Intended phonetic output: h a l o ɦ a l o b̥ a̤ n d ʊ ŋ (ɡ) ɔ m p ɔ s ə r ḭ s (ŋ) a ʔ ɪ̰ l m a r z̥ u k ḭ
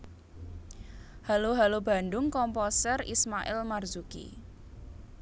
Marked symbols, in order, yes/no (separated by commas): no, no